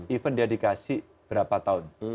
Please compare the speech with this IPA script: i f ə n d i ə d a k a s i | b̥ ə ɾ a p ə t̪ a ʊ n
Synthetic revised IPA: i f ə n d i a d i k a s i | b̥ ə ɾ a p a t̪ a ʊ n